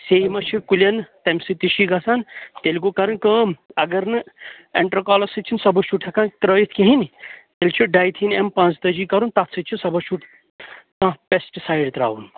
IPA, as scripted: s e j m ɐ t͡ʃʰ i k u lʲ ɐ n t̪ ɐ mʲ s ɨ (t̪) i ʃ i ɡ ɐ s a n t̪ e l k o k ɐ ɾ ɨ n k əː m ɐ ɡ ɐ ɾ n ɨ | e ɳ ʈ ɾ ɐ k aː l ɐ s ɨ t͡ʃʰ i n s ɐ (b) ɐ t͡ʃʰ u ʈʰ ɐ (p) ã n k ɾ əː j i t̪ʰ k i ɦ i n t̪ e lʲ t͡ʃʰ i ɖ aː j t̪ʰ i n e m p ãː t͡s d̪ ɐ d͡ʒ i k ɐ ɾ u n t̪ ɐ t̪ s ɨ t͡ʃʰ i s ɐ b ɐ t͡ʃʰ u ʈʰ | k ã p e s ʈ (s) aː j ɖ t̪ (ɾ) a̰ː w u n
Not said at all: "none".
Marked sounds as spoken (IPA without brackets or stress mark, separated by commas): t̪, b, k, s, ɾ